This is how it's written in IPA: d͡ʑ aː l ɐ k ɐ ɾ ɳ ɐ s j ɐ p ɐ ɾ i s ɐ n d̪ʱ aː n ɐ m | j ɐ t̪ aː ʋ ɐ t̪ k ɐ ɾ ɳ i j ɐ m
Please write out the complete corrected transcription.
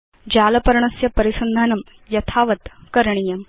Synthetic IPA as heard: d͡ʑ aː l ɐ p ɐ ɾ ɳ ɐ s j ɐ p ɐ ɾ i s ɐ n d̪ʱ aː n ɐ m | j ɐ t̪ʰ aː ʋ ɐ t̪ k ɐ ɾ ɳ i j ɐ m